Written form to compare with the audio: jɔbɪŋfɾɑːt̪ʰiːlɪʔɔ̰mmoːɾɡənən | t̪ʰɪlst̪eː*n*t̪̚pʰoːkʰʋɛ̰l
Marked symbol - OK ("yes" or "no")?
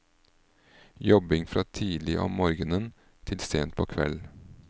yes